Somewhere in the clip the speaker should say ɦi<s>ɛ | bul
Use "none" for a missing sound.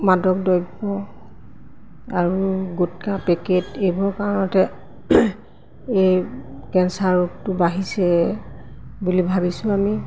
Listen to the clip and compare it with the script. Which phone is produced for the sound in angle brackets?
s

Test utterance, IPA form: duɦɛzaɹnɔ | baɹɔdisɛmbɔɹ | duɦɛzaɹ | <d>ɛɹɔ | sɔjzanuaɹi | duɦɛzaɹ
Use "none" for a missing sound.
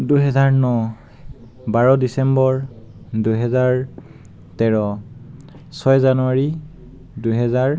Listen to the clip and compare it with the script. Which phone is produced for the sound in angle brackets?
t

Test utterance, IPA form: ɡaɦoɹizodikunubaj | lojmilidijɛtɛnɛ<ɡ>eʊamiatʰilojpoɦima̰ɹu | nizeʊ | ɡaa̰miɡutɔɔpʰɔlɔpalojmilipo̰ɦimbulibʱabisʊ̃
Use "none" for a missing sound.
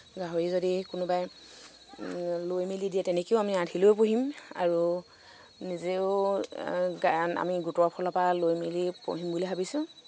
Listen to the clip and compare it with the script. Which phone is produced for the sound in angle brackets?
k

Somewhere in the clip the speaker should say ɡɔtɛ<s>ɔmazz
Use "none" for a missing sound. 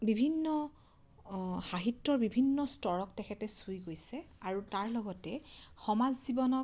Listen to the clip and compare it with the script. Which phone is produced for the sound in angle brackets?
x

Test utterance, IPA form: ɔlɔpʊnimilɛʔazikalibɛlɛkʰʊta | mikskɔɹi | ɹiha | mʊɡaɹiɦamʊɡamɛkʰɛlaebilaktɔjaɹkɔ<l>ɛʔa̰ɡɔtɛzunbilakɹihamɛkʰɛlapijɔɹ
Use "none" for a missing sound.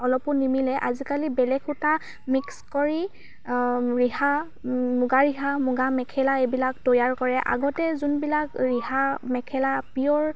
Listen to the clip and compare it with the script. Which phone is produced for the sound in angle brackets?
ɹ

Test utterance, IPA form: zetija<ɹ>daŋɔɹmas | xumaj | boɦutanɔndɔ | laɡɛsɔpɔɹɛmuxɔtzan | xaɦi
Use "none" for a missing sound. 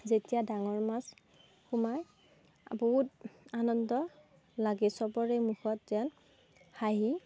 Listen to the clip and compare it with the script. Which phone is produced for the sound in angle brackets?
none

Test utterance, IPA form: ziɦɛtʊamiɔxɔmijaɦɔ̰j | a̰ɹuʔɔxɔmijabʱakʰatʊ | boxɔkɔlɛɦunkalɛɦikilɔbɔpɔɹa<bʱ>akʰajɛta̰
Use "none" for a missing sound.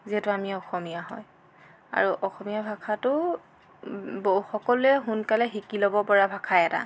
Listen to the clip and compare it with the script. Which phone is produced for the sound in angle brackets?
bʱ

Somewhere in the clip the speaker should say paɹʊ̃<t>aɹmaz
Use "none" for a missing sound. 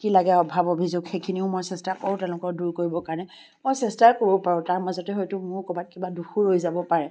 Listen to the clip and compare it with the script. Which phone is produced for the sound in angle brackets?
t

